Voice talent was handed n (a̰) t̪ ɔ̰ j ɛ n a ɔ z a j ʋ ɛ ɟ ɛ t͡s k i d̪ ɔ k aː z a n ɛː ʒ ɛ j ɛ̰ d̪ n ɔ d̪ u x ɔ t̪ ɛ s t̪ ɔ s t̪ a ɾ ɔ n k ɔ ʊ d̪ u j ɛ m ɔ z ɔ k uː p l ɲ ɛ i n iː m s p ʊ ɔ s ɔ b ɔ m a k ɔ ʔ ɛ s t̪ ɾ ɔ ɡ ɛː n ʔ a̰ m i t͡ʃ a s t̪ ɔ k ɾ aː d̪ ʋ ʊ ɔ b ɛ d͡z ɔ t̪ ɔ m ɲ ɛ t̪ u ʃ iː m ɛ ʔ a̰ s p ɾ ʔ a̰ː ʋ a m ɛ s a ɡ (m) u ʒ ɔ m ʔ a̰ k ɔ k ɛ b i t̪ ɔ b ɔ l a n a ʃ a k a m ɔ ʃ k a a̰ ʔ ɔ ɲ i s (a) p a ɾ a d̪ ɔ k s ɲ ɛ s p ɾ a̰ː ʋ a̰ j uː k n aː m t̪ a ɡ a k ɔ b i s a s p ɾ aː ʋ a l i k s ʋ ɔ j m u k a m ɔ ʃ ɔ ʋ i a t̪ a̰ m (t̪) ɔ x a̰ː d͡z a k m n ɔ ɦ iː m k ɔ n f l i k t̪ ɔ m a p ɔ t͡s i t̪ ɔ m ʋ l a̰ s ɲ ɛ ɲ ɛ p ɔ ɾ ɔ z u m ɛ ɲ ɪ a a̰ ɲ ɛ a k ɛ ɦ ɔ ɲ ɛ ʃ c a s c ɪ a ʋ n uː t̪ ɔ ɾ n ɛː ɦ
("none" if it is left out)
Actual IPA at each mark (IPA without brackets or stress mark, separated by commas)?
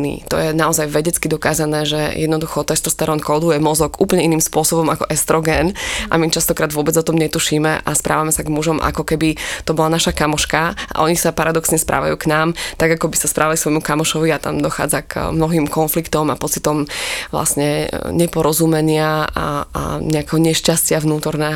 ḭ, m, a, d̪